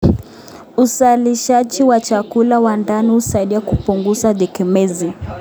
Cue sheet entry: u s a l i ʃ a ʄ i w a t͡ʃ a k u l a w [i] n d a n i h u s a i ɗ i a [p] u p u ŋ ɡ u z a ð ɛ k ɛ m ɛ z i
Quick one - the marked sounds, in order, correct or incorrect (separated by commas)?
incorrect, incorrect